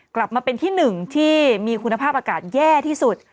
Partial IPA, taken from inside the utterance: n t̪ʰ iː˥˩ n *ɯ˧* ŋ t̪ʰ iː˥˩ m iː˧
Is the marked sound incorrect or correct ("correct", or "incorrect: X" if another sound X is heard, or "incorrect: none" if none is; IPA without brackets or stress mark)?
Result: incorrect: ɯ˨˩